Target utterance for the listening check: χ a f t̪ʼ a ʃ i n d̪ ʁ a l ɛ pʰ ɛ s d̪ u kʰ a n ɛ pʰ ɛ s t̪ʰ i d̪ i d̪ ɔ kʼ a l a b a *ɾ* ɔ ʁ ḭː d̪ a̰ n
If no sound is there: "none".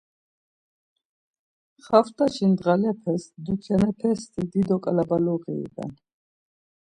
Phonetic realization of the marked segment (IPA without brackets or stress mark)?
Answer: l